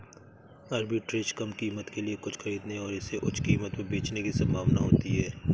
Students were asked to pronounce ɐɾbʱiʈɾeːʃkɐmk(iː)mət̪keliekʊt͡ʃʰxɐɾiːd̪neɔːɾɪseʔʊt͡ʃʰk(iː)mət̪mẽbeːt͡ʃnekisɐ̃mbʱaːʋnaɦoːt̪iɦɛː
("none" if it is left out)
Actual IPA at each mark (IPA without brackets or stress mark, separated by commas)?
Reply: iː, iː